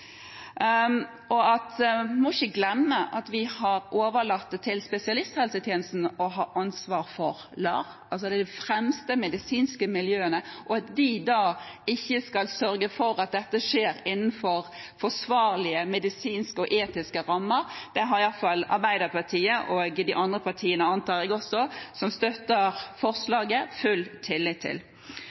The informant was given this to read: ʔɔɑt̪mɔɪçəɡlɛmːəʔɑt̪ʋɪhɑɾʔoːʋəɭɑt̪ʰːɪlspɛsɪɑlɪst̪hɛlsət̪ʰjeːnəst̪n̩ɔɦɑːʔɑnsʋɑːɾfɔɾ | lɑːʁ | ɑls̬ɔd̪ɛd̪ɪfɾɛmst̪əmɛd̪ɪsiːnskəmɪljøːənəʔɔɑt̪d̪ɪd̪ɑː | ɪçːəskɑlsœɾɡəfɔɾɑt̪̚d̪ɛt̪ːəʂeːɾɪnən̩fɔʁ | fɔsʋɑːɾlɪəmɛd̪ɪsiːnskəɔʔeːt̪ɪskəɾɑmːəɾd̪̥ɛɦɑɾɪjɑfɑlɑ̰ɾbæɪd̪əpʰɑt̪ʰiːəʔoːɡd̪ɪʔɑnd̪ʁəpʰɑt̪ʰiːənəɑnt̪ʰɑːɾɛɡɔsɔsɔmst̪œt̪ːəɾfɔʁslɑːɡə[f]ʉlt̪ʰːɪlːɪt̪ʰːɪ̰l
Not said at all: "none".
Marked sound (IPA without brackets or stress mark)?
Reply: f